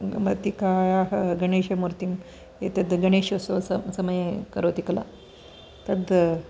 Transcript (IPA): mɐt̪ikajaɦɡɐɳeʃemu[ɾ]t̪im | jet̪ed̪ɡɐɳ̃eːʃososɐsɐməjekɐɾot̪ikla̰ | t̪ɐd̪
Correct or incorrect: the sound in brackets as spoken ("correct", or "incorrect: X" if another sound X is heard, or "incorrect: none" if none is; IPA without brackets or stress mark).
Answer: correct